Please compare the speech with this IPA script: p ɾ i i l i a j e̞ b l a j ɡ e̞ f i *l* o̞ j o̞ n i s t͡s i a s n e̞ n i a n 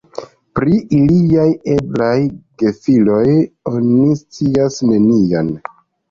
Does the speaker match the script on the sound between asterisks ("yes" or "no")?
yes